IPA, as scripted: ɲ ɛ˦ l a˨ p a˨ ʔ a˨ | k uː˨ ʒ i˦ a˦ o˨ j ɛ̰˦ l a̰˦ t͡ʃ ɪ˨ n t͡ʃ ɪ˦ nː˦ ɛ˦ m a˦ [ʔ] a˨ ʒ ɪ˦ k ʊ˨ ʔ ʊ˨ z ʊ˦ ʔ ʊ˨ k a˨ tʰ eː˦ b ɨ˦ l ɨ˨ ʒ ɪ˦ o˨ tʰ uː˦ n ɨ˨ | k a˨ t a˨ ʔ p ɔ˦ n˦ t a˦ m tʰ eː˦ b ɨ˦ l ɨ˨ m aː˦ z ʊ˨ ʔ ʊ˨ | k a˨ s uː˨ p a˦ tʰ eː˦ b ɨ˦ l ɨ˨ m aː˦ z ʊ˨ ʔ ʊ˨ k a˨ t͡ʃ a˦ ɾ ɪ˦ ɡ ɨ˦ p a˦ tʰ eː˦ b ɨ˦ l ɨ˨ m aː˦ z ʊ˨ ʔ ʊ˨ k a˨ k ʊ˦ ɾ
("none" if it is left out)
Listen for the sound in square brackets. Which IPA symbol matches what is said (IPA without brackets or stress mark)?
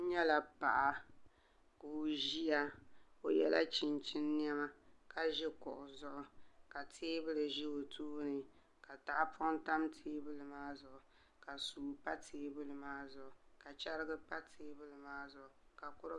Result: k